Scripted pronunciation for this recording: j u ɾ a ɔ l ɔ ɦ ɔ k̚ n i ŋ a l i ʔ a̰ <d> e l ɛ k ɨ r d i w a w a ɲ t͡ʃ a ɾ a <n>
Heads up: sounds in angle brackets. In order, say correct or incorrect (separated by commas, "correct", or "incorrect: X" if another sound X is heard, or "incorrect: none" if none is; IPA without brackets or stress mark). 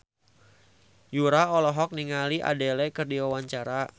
correct, incorrect: none